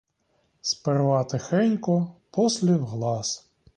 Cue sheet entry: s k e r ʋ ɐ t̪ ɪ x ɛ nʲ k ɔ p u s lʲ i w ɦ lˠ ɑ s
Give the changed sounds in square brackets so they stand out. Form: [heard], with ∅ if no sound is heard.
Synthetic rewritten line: s [p] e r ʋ [ɑ] t̪ ɪ x ɛ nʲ k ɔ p [ɔ] s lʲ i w ɦ lˠ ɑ s